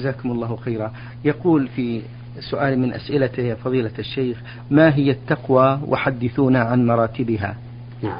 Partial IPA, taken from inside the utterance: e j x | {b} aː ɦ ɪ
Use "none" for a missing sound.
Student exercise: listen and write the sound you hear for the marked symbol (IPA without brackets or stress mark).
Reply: m